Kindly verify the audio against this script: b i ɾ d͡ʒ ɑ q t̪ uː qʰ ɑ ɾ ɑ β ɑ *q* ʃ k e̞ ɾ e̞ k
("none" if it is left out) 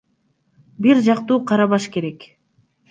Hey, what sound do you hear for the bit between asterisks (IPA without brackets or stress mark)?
none